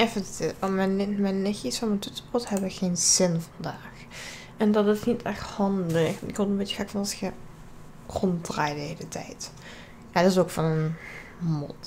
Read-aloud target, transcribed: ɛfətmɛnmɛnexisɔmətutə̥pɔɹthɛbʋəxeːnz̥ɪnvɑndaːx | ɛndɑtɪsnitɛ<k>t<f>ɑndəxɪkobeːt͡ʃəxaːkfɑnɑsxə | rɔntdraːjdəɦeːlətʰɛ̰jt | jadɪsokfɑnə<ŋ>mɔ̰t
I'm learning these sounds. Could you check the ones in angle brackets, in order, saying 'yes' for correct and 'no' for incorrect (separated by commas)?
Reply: no, no, no